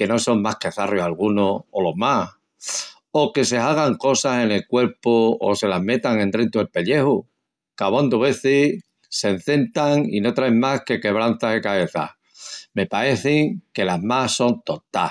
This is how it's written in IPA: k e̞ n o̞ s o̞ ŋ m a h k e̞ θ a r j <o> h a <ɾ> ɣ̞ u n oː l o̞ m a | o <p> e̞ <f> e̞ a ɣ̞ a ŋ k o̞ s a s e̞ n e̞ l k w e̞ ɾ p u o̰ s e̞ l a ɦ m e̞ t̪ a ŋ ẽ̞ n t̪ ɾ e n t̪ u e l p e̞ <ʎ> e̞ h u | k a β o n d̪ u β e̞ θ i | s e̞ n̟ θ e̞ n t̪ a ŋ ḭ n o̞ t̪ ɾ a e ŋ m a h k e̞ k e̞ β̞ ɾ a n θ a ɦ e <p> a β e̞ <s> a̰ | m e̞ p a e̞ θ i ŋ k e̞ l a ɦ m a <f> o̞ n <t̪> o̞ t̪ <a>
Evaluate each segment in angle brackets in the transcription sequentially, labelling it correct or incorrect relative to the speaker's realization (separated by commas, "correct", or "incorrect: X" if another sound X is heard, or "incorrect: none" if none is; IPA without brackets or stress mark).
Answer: correct, incorrect: l, incorrect: k, incorrect: s, correct, incorrect: k, incorrect: θ, incorrect: s, correct, correct